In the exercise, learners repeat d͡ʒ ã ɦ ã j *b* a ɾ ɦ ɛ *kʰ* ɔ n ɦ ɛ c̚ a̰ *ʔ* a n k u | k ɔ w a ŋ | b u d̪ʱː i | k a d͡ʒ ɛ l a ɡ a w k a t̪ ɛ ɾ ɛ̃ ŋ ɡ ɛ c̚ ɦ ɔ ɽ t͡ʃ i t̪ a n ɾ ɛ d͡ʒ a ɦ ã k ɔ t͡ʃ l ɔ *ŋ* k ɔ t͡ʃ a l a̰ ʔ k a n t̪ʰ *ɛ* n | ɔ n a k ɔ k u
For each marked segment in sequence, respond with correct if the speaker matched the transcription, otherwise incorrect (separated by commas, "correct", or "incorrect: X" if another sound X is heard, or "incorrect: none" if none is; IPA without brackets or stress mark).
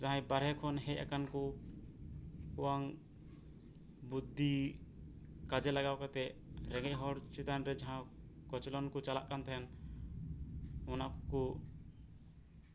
correct, correct, incorrect: k, incorrect: n, correct